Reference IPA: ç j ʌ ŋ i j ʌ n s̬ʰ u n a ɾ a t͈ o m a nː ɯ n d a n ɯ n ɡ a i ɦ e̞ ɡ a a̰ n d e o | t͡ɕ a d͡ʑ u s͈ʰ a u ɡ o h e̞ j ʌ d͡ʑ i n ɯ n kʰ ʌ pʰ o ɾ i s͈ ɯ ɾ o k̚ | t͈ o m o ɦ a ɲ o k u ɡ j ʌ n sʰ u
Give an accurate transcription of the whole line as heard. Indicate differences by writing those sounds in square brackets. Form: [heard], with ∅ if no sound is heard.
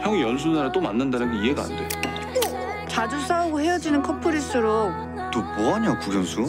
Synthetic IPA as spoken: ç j ʌ ŋ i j ʌ n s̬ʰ u n a ɾ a t͈ o m a nː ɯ n d a n ɯ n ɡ [e] i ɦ e̞ ɡ a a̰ n d e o | t͡ɕ a d͡ʑ u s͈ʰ a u ɡ o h e̞ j ʌ d͡ʑ i n ɯ n kʰ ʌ pʰ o ɾ i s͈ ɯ ɾ o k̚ | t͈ o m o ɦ a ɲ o k u ɡ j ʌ n sʰ u